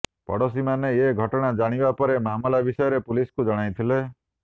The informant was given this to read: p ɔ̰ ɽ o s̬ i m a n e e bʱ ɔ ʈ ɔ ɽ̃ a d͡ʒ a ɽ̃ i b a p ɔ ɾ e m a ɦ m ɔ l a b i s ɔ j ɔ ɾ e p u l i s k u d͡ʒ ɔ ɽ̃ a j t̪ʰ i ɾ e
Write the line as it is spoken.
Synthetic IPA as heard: p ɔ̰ ɽ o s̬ i m a n e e ɡʱ ɔ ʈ ɔ ɽ̃ a d͡ʒ a ɽ̃ i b a p ɔ ɾ e m a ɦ m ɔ l a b i s ɔ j ɔ ɾ e p u l i s k u d͡ʒ ɔ ɽ̃ a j t̪ʰ i l e